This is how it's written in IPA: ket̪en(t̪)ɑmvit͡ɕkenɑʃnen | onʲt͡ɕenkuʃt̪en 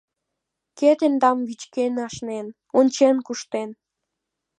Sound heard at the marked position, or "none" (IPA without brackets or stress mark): d̪